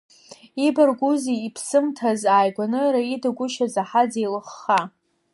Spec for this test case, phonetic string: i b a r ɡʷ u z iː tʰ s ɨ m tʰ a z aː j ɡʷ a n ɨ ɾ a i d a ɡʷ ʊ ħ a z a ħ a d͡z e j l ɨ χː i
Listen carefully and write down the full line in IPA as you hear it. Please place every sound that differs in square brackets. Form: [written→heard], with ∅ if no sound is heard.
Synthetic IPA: i b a r ɡʷ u z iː [tʰ→pʰ] s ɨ m tʰ a z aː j ɡʷ a n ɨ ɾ a i d a ɡʷ ʊ [ħ→ʃ] a z a ħ a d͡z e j l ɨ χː [i→a]